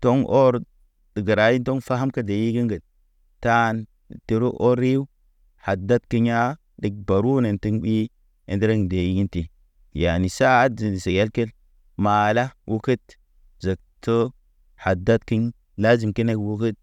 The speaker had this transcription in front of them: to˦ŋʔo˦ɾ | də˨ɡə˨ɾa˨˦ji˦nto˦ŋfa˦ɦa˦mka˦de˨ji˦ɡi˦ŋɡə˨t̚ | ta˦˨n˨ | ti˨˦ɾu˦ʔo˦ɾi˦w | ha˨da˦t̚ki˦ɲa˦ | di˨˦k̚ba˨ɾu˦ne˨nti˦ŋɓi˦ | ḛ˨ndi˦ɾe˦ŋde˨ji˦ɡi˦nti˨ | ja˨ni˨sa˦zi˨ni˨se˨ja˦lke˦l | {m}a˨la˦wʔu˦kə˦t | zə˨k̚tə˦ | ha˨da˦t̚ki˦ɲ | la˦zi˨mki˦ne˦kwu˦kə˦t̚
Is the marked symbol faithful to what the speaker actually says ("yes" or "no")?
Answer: yes